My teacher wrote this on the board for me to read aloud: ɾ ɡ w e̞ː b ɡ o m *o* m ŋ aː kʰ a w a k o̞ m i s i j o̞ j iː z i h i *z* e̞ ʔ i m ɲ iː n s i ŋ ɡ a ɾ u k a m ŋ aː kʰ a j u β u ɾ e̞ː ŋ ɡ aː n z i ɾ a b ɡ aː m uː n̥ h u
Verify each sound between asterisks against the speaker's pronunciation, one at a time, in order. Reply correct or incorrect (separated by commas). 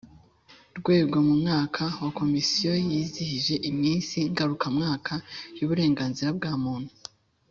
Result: incorrect, incorrect